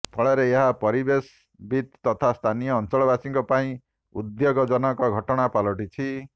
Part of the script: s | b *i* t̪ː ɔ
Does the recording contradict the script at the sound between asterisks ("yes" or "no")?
no